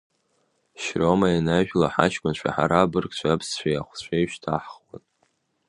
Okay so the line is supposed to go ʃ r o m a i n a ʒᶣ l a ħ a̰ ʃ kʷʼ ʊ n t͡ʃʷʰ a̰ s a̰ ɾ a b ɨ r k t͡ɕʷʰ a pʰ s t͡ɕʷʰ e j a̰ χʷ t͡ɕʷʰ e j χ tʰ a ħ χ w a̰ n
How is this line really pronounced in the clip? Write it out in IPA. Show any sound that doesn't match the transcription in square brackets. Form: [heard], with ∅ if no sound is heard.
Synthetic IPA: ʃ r o m a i n a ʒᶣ l a ħ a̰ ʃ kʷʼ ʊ n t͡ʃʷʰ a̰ [ħ] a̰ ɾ a b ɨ r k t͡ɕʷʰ a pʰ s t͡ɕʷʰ [a] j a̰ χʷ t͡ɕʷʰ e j [ʃ] tʰ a ħ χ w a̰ n